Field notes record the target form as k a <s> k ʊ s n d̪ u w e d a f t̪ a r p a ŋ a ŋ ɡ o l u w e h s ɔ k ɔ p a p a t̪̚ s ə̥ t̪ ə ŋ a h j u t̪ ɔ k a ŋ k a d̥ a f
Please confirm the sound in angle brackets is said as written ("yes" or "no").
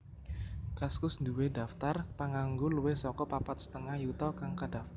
yes